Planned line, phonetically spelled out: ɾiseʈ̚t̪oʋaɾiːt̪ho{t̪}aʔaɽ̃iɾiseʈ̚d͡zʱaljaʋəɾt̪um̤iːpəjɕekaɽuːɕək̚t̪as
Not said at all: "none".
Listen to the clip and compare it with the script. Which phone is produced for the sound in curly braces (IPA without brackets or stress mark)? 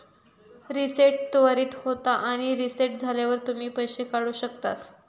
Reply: t̪